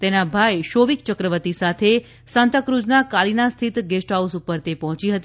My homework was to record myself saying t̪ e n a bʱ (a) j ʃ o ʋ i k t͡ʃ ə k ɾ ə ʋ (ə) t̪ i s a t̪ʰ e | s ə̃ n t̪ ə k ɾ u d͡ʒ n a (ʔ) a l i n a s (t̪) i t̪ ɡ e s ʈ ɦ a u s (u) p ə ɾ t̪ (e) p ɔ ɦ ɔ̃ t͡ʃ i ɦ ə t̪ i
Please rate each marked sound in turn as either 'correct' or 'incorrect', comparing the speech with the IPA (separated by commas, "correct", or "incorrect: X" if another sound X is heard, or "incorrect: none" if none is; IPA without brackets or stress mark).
correct, correct, incorrect: k, incorrect: t̪ʰ, correct, correct